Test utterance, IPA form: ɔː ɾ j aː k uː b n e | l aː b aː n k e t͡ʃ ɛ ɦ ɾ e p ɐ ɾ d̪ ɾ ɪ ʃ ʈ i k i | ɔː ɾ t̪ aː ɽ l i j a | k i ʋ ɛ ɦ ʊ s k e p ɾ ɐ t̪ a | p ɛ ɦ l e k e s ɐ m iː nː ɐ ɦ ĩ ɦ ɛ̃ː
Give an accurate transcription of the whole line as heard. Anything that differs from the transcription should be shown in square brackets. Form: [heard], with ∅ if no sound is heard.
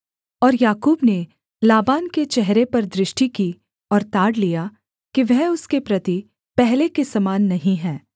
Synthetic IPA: ɔː ɾ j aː k uː b n e | l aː b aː n k e t͡ʃ ɛ ɦ ɾ e p ɐ ɾ d̪ ɾ ɪ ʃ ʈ i k i | ɔː ɾ t̪ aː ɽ l i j a | k i ʋ ɛ ɦ ʊ s k e p ɾ ɐ t̪ [i] | p ɛ ɦ l e k e s ɐ m [aː] nː ɐ ɦ ĩ ɦ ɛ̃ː